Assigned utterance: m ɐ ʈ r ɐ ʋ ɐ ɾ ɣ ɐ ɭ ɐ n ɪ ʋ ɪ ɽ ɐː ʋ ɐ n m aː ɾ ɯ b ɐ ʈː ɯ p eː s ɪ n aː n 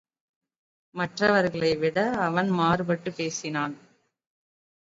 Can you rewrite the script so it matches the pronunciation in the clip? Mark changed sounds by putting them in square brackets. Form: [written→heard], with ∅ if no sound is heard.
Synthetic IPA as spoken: m ɐ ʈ r ɐ ʋ ɐ ɾ ɣ ɐ ɭ ɐ [n→∅] ɪ ʋ ɪ ɽ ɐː ʋ ɐ n m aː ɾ ɯ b ɐ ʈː ɯ p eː s ɪ n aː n

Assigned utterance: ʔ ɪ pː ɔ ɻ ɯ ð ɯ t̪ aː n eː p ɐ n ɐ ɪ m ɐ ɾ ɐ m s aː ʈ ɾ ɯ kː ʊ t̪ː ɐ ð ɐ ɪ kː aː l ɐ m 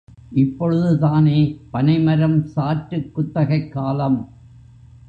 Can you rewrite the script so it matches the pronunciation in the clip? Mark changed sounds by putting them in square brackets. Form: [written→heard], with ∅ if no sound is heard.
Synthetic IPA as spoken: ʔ ɪ pː ɔ ɻ ɯ ð ɯ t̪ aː n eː p ɐ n ɐ ɪ m ɐ ɾ ɐ m s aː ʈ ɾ ɯ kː ʊ t̪ː ɐ [ð→ɣ] ɐ ɪ kː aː l ɐ m

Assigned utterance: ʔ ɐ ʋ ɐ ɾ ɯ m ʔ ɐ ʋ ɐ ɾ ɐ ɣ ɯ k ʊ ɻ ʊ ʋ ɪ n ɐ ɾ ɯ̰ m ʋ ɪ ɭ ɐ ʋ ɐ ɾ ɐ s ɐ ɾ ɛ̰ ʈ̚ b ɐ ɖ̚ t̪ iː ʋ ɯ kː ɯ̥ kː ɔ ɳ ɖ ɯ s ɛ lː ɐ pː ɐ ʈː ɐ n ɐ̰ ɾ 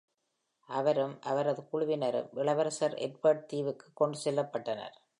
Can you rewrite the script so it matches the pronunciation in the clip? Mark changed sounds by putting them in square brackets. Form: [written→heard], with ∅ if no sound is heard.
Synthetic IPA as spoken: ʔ ɐ ʋ ɐ ɾ ɯ m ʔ ɐ ʋ ɐ ɾ ɐ [ɣ→ð] ɯ k ʊ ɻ ʊ ʋ ɪ n ɐ ɾ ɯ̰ m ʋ ɪ ɭ ɐ ʋ ɐ ɾ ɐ s ɐ ɾ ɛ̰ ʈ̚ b ɐ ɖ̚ t̪ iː ʋ ɯ kː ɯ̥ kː ɔ ɳ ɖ ɯ s ɛ lː ɐ pː ɐ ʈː ɐ n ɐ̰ ɾ

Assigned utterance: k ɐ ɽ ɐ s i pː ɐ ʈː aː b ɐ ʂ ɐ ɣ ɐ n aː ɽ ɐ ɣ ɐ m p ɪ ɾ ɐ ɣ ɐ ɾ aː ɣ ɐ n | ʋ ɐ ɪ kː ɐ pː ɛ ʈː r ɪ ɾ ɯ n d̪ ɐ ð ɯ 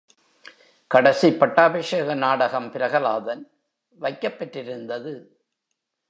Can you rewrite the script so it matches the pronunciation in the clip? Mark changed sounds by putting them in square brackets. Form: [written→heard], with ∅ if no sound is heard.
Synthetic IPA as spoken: k ɐ ɽ ɐ s i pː ɐ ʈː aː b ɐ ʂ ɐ ɣ ɐ n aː ɽ ɐ ɣ ɐ m p ɪ ɾ ɐ ɣ ɐ [ɾ→l] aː [ɣ→ð] ɐ n | ʋ ɐ ɪ kː ɐ pː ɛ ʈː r ɪ ɾ ɯ n d̪ ɐ ð ɯ

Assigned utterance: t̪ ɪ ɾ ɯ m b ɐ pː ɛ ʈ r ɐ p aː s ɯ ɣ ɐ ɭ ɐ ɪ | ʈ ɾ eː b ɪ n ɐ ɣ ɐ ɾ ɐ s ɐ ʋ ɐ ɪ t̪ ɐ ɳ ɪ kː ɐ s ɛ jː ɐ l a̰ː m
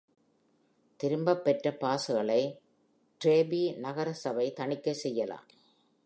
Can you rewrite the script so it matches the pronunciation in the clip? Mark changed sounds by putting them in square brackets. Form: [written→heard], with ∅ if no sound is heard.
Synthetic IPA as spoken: t̪ ɪ ɾ ɯ m b ɐ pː ɛ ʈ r ɐ p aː s ɯ ɣ ɐ ɭ ɐ ɪ | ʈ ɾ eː b [ɪ→i] n ɐ ɣ ɐ ɾ ɐ s ɐ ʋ ɐ ɪ t̪ ɐ ɳ ɪ kː ɐ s ɛ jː ɐ l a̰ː m

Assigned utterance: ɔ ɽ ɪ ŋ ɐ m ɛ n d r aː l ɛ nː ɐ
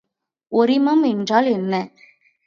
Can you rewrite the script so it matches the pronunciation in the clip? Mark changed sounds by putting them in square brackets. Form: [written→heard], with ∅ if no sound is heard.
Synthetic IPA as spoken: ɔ [ɽ→ɾ] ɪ [ŋ→m] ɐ m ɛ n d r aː l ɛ nː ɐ

